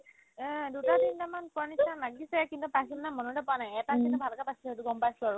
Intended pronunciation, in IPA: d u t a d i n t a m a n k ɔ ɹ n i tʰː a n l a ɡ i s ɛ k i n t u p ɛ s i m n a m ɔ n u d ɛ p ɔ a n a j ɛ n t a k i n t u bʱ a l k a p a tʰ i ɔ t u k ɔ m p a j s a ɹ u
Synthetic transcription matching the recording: d u t a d i n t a m a n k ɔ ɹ n i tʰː a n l a ɡ i s ɛ k i n t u p a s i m n a m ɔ n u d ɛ p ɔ a n a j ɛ t a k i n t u bʱ a l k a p a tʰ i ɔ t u ɡ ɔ m p a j s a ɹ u